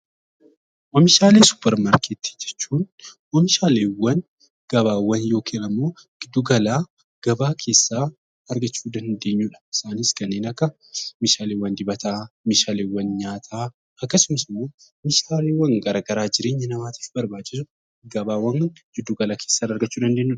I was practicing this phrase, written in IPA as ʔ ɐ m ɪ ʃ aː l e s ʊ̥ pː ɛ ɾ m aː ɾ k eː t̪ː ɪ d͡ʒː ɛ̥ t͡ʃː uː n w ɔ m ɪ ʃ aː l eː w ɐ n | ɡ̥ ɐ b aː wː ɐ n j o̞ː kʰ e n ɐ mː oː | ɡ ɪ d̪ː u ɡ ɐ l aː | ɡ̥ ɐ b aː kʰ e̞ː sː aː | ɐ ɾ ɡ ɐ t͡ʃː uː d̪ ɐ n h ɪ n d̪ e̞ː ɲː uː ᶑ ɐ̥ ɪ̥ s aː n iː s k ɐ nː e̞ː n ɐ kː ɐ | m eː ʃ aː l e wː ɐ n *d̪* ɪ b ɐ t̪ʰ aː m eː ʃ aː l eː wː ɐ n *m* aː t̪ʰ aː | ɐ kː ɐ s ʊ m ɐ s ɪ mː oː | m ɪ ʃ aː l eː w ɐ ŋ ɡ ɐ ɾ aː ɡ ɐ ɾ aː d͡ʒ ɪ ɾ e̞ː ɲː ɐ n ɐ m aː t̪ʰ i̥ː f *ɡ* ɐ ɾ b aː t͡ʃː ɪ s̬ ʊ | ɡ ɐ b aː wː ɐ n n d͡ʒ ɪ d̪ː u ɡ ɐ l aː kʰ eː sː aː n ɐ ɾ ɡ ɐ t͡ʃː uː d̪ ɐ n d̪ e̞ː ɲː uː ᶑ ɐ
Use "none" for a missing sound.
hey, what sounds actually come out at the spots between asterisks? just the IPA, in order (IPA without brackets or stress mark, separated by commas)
d̪, ɲ, b